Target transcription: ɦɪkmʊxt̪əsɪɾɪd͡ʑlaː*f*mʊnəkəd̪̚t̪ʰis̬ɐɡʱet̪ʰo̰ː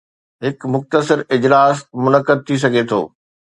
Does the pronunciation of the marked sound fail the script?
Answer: yes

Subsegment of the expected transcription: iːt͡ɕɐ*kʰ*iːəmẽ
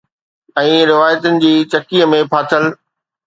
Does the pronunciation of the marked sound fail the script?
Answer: yes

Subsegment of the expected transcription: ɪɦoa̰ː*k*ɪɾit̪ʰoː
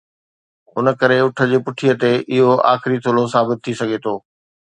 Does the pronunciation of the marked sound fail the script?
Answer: yes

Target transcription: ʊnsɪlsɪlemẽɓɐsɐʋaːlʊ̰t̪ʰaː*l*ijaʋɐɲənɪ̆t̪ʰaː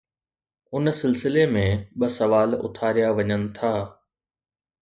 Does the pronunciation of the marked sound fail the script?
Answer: yes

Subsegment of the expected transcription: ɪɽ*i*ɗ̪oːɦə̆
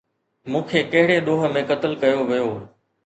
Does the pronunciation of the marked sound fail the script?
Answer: yes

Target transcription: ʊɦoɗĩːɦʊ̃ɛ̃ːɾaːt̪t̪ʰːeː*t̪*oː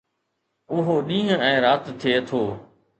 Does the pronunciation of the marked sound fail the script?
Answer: yes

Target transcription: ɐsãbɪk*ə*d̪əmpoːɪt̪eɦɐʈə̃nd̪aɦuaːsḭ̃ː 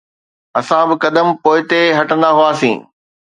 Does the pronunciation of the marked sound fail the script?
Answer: yes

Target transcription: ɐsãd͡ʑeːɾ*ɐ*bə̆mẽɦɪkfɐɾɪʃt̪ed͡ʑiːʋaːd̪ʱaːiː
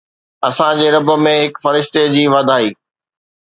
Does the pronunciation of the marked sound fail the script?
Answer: no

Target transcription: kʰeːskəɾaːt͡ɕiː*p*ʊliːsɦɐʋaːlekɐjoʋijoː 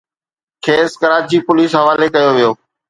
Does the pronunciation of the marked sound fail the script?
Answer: no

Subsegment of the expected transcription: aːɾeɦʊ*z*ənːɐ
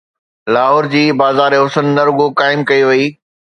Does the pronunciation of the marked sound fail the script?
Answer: yes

